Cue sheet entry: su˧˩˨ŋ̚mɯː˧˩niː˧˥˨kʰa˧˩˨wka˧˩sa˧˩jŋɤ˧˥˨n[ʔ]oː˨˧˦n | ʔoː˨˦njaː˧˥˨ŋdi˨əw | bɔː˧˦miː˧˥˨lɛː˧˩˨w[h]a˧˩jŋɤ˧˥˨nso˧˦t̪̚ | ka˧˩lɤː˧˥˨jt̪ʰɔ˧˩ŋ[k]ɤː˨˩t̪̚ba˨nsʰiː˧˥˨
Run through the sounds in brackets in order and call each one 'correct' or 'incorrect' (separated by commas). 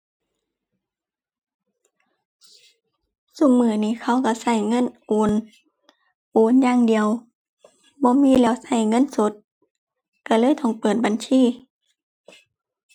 correct, incorrect, incorrect